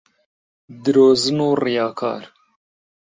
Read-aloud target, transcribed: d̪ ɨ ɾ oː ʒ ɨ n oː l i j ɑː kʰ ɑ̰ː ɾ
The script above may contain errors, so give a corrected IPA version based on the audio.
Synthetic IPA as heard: d̪ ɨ ɾ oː z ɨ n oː r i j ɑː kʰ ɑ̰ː ɾ

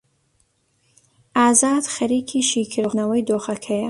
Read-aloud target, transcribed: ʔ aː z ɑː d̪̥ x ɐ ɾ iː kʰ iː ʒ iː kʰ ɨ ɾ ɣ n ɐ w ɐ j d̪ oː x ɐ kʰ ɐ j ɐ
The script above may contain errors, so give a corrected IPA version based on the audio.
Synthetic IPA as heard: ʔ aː z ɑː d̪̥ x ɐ ɾ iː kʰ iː ʃ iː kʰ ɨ ɾ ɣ n ɐ w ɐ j d̪ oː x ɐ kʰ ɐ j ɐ

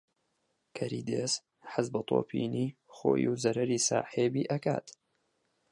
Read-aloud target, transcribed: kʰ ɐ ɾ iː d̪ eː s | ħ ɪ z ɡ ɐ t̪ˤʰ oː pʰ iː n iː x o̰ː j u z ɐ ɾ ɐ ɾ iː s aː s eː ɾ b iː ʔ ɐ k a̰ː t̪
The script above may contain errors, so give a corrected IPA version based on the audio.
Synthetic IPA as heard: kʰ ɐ ɾ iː d̪ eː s | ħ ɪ z b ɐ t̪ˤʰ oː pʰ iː n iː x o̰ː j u z ɐ ɾ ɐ ɾ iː s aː ħ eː b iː ʔ ɐ k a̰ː t̪

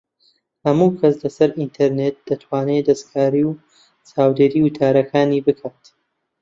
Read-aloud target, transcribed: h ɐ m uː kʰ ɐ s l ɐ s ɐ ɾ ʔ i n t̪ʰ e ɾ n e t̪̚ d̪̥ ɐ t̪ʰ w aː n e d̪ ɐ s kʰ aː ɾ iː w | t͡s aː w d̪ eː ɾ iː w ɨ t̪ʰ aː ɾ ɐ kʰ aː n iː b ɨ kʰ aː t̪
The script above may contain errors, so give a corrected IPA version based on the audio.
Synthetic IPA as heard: h ɐ m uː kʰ ɐ s l ɐ s ɐ ɾ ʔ i n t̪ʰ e ɾ n e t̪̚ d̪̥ ɐ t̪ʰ w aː n e d̪ ɐ s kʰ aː ɾ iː w | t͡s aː w d̪ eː ɾ iː w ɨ t̪ʰ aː ɾ ɐ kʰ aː n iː b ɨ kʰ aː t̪

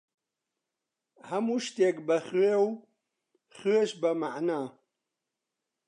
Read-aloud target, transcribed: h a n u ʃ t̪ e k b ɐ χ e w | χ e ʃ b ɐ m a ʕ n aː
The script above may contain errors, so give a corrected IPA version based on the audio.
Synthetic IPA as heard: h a m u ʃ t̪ e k b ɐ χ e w | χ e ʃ b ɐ m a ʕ n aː

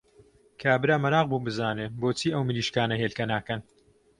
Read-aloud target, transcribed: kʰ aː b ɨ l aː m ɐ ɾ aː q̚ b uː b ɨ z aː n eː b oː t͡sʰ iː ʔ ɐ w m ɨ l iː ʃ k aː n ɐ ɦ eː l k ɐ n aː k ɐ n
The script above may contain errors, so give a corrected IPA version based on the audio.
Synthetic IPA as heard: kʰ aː b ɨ ɾ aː m ɐ ɾ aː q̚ b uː b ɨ z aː n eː b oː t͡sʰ iː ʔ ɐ w m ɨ l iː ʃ k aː n ɐ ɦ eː l k ɐ n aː k ɐ n

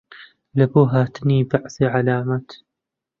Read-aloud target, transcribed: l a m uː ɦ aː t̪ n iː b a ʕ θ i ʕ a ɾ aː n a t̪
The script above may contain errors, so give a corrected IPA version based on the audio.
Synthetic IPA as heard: l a b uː ɦ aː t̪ n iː b a ʕ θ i ʕ a l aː m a t̪

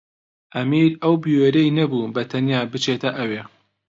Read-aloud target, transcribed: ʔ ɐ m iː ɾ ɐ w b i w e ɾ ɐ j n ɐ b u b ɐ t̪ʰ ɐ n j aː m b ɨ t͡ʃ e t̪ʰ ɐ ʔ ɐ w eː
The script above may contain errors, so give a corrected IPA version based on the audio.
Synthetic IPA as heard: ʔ ɐ m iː ɾ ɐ w b i w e ɾ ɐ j n ɐ b u b ɐ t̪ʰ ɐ n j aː b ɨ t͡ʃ e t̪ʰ ɐ ʔ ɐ w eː

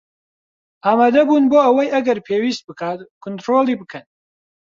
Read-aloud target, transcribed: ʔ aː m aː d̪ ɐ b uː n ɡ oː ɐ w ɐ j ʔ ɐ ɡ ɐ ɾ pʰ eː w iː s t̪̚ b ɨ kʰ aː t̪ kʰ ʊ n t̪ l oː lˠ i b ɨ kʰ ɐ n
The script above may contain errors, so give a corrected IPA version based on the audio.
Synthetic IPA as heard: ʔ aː m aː d̪ ɐ b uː n b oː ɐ w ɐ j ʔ ɐ ɡ ɐ ɾ pʰ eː w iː s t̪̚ b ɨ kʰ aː t̪ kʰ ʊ n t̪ ɾ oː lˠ i b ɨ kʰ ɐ n

